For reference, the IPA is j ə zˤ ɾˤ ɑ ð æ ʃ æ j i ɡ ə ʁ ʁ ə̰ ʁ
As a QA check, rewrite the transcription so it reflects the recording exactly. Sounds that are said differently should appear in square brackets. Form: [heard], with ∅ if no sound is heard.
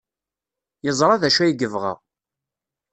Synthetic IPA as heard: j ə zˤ ɾˤ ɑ ð æ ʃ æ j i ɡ ə [v] ʁ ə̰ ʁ